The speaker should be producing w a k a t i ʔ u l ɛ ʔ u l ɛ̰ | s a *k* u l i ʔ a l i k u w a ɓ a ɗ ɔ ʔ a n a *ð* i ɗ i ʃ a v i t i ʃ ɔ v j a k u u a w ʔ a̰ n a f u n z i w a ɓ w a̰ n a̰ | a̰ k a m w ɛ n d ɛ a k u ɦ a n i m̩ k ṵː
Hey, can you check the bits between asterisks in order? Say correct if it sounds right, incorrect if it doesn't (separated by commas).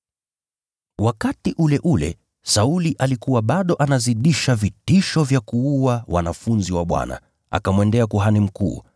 incorrect, incorrect